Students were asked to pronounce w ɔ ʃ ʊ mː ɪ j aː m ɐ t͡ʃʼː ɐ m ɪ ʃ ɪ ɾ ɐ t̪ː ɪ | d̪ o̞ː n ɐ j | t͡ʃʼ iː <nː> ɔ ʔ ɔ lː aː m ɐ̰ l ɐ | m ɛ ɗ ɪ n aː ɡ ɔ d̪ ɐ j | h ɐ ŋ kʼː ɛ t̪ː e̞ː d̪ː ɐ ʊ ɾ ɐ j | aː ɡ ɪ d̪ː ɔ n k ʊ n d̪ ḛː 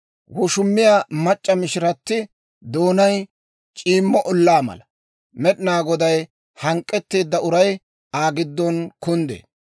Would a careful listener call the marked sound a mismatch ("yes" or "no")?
yes